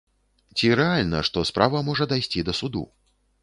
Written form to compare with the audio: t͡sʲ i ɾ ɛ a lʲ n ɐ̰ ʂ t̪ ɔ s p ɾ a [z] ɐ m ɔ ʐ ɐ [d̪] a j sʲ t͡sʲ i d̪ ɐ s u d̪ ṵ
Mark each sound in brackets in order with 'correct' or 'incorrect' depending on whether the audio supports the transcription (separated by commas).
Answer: incorrect, correct